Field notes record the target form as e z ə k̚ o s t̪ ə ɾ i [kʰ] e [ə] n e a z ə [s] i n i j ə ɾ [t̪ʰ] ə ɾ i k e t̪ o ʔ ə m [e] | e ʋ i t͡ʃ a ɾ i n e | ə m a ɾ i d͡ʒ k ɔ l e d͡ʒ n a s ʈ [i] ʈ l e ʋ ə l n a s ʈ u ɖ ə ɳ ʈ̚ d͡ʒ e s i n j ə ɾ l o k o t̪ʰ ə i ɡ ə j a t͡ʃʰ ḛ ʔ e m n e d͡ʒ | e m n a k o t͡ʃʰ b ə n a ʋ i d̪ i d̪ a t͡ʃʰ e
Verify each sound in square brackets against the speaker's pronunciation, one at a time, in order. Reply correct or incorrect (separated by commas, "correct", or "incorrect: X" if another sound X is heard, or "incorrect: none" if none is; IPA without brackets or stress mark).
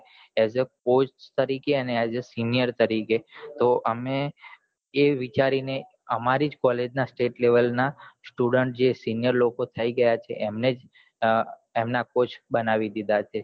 incorrect: k, correct, correct, incorrect: t̪, correct, incorrect: e